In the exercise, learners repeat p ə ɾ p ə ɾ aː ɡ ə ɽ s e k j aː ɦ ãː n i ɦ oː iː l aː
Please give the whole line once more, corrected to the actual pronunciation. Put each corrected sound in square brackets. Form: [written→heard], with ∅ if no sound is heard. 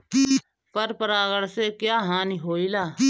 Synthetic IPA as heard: p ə ɾ p ə ɾ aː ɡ ə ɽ s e k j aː ɦ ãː n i ɦ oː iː l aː

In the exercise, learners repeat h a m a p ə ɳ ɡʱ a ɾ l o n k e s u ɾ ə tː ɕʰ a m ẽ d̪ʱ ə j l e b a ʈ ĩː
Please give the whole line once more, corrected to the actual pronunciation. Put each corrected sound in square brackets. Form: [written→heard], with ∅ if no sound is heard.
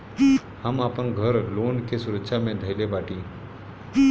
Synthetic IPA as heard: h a m a p ə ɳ ɡʱ [a→ə] ɾ l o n k e s u ɾ ə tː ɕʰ a m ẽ d̪ʱ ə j l e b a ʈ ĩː

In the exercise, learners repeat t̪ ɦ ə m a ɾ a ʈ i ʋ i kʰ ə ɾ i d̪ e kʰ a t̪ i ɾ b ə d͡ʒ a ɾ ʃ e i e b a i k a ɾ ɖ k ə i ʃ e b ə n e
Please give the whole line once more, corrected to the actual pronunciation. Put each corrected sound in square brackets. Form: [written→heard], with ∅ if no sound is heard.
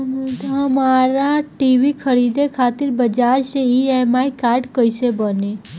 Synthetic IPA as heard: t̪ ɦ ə m a ɾ a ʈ i ʋ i kʰ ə ɾ i d̪ e kʰ a t̪ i ɾ b ə d͡ʒ a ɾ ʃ e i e [b→m] a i k a ɾ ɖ k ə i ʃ e b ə n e

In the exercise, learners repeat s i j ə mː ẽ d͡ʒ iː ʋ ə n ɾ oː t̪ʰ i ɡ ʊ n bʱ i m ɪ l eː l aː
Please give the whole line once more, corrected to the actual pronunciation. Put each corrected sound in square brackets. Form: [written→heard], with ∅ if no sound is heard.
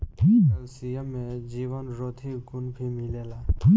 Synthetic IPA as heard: s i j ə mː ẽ d͡ʒ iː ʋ ə n ɾ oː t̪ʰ i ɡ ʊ n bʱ i m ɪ l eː l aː

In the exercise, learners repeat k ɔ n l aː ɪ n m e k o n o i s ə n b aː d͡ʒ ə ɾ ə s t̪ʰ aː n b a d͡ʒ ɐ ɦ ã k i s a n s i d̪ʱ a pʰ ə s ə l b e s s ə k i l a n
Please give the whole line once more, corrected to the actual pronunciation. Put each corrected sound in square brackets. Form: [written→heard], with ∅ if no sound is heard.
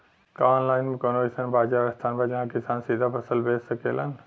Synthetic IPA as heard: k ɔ n l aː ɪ n m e k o n o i s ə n b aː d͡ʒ [ə→a] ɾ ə s t̪ʰ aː n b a d͡ʒ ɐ ɦ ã k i s a n s i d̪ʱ a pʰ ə s ə l b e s s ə k [i→e] l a n

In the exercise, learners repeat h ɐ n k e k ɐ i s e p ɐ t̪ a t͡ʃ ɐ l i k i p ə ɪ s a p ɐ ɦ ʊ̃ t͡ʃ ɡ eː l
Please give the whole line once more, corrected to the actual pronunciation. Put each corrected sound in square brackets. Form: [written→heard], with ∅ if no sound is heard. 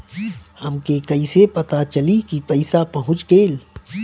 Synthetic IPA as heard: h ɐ [n→m] k e k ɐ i s e p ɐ t̪ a t͡ʃ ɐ l i k i p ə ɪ s a p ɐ ɦ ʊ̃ t͡ʃ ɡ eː l

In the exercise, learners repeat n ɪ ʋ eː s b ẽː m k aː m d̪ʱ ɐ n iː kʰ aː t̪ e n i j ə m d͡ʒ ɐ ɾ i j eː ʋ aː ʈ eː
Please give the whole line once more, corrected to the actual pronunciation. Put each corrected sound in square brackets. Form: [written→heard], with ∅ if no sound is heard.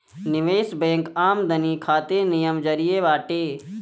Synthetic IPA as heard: n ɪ ʋ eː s b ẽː [m→ŋ] k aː m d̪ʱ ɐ n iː kʰ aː t̪ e n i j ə m d͡ʒ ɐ ɾ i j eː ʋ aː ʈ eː

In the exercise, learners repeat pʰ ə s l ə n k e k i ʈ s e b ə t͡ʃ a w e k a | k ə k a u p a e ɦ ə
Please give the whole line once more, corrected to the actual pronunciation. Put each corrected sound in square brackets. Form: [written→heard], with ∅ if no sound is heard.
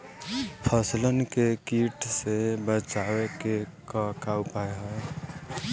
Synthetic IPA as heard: pʰ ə s l ə n k e k i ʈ s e b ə t͡ʃ a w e k [a→e] | k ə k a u p a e ɦ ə

